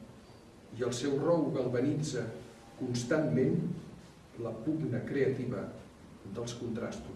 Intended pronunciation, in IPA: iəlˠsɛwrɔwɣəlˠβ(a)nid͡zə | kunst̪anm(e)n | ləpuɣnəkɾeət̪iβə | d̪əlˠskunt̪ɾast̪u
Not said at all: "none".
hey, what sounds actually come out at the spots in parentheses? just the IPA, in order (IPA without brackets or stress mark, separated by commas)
ə, e